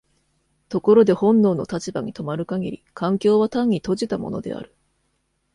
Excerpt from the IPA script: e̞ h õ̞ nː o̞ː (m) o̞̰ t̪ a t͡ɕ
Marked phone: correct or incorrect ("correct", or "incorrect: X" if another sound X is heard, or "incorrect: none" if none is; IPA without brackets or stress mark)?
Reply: incorrect: n